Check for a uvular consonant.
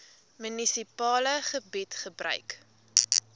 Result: present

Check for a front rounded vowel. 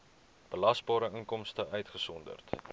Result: present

